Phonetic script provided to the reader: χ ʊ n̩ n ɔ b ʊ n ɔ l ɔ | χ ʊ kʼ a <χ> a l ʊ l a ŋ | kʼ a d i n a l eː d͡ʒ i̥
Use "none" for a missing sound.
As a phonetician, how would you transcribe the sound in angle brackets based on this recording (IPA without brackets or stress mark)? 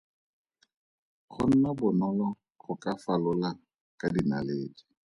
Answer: f